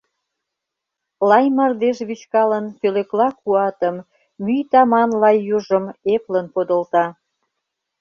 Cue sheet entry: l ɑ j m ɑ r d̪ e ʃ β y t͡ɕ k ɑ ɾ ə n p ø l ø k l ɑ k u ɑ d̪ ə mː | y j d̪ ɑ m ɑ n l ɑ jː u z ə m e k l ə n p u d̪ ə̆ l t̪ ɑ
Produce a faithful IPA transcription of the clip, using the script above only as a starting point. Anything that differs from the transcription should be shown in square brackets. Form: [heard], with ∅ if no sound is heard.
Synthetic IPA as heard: l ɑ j m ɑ r d̪ e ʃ β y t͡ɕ k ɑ [l] ə n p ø l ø k l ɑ k u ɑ [t̪] ə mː | y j [t̪] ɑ m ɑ n l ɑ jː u [ʒ] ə m e [p] l ə n p [o] d̪ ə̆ l t̪ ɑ